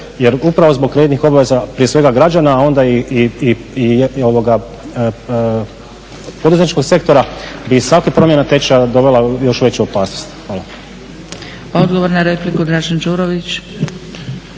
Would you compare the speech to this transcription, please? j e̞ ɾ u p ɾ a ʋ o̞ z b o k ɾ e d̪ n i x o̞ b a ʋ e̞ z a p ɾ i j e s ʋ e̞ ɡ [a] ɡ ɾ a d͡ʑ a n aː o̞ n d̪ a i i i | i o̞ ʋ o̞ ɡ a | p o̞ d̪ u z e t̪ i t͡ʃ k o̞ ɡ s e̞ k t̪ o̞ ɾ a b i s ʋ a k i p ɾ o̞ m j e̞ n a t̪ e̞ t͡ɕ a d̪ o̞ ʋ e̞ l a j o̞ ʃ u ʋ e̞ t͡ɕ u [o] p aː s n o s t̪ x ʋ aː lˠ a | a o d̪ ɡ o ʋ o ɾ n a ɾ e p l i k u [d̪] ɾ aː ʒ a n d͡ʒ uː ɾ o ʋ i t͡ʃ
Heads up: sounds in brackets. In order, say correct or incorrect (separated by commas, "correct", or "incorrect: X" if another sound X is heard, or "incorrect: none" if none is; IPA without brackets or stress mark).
correct, correct, correct